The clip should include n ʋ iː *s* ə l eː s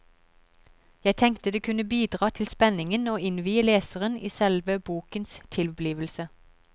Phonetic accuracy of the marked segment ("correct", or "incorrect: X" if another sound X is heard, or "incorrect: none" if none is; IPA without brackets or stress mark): incorrect: none